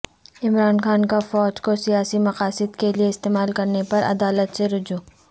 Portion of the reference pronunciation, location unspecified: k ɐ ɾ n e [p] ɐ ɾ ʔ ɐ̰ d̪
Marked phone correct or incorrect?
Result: correct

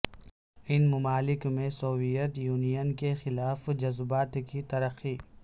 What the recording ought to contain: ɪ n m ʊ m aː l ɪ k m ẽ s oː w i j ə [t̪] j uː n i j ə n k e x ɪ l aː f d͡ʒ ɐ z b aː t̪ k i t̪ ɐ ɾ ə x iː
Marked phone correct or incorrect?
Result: correct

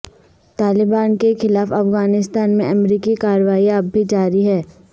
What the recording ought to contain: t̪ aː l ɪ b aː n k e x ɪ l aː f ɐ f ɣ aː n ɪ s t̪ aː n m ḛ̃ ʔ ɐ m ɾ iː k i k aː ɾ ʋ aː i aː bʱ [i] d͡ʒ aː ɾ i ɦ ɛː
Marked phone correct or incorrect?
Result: correct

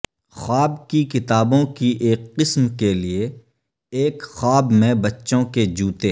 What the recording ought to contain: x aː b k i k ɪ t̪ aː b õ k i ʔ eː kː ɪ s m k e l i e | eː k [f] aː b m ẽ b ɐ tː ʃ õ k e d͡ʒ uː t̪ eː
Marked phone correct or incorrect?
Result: incorrect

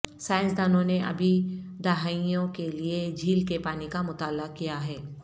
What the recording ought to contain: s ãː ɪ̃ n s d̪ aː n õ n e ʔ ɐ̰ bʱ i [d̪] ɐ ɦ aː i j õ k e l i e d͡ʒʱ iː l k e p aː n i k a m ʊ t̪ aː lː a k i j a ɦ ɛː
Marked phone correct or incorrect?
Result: correct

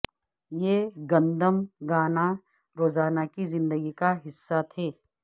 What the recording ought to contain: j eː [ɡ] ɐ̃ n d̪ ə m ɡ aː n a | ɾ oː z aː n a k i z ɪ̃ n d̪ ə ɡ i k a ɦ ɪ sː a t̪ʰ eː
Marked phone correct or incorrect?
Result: correct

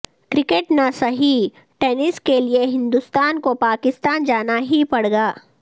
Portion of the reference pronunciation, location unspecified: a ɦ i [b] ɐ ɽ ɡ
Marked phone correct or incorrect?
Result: incorrect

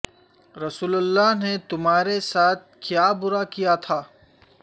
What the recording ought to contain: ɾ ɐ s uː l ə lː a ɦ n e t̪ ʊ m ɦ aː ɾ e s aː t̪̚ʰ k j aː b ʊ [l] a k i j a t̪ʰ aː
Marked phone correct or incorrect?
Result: incorrect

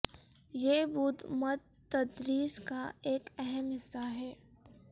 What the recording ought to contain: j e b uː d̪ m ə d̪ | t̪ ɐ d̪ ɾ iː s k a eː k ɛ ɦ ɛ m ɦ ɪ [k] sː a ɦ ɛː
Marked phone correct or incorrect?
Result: incorrect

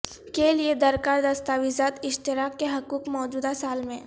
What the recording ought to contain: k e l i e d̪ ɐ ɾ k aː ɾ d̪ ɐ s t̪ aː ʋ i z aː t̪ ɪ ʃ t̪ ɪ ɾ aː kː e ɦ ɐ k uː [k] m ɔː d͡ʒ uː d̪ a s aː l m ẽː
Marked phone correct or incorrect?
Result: correct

